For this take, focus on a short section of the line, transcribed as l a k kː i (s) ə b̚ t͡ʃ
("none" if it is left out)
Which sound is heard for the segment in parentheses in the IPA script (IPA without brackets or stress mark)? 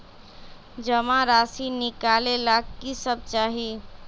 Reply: s